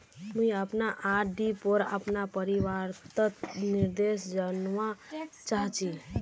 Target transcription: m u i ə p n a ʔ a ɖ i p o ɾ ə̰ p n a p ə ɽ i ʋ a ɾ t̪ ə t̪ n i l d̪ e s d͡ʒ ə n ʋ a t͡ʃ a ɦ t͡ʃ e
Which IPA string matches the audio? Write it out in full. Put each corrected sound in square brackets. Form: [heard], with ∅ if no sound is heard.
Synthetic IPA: m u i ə p n a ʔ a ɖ i p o ɾ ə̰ p n a p ə [ɾ] i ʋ a ɾ t̪ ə t̪ n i [ɾ] d̪ e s d͡ʒ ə n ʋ a t͡ʃ a ɦ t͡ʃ [i]